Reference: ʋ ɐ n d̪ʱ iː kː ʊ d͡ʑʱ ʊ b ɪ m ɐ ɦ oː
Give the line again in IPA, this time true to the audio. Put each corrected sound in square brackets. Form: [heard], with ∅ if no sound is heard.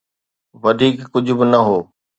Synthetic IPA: ʋ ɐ [∅] d̪ʱ iː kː ʊ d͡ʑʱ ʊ b ɪ [n] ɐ ɦ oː